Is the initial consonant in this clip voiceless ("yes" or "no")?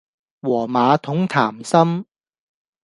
no